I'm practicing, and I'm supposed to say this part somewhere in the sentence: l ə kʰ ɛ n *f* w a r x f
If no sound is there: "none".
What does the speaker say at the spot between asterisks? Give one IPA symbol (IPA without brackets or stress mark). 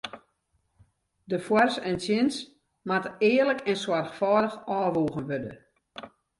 s